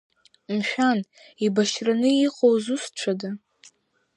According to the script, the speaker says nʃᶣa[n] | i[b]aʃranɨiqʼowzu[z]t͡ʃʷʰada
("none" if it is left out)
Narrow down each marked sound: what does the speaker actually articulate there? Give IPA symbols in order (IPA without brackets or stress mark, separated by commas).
n, b, s